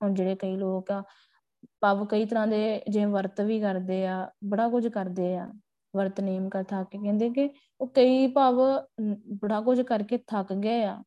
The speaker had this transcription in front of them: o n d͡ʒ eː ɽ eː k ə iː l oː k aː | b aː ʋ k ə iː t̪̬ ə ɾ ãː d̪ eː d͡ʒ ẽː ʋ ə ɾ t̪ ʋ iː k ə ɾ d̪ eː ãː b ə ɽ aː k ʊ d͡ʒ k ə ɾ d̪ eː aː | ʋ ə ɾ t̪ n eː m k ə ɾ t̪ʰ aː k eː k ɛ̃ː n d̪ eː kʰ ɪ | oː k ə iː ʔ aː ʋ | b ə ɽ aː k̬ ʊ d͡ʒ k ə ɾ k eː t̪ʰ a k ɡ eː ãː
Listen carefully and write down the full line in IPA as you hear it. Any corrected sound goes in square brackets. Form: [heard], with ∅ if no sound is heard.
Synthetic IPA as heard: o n d͡ʒ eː ɽ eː k ə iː l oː k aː | [p] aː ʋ k ə iː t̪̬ ə ɾ ãː d̪ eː d͡ʒ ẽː ʋ ə ɾ t̪ ʋ iː k ə ɾ d̪ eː [aː] b ə ɽ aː k ʊ d͡ʒ k ə ɾ d̪ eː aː | ʋ ə ɾ t̪ n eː m k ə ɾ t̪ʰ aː k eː k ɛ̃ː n d̪ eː [k] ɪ | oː k ə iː [p] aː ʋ | b ə ɽ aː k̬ ʊ d͡ʒ k ə ɾ k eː t̪ʰ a k ɡ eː [aː]